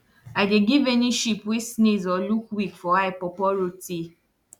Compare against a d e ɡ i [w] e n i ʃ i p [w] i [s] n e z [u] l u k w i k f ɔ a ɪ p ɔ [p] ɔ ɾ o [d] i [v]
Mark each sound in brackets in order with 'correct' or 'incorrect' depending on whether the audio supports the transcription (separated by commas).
incorrect, correct, correct, incorrect, correct, incorrect, incorrect